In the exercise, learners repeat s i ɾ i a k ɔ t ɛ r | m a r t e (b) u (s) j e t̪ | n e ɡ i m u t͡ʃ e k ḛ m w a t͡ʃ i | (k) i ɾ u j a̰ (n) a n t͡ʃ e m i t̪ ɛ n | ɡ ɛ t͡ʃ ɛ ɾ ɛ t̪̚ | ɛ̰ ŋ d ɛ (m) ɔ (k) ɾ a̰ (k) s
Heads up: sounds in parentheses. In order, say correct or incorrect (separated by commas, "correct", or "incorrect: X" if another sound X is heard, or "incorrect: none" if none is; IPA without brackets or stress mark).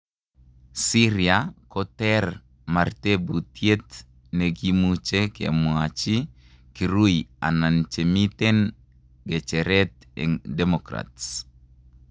correct, incorrect: t, correct, correct, correct, correct, incorrect: t